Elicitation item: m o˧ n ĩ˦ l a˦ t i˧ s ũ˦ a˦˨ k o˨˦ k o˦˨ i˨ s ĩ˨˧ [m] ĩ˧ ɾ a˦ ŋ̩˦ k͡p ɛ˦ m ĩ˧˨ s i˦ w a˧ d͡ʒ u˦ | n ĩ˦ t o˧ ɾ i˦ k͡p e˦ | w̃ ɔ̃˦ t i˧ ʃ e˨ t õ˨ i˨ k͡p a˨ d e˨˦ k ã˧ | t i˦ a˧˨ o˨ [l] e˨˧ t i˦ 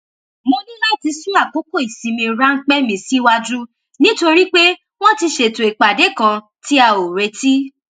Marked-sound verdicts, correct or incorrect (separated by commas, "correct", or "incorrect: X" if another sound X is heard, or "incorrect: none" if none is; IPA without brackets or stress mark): correct, incorrect: ɾ